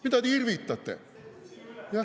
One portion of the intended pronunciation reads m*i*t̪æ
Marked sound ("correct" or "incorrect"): correct